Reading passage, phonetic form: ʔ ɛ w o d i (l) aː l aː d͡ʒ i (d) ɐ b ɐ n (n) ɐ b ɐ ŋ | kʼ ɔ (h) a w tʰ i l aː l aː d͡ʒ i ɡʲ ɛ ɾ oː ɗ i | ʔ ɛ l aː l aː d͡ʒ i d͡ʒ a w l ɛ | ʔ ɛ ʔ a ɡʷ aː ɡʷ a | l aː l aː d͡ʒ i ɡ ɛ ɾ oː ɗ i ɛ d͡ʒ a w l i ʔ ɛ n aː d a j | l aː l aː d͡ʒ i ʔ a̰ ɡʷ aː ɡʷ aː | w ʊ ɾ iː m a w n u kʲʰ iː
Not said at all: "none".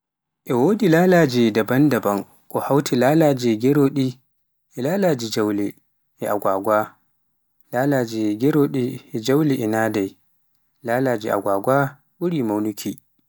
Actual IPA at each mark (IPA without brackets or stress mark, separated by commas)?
l, d, d, h